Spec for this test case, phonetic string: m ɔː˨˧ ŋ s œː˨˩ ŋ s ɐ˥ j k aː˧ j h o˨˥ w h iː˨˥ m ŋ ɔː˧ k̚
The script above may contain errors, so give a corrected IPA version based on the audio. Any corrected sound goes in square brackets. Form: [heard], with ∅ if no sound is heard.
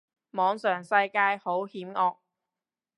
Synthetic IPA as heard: m ɔː˨˧ ŋ s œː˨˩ ŋ s [ɐ˧] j k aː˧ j h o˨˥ w h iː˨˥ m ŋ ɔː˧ k̚